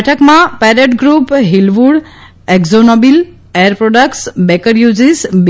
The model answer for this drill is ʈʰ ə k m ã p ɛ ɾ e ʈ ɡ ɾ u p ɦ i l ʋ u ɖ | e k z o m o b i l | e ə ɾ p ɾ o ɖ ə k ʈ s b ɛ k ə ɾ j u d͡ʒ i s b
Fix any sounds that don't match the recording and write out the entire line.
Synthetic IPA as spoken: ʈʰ ə k m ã p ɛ ɾ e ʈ ɡ ɾ u p ɦ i l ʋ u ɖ | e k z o n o b i l | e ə ɾ p ɾ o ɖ ə k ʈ s b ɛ k ə ɾ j u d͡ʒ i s b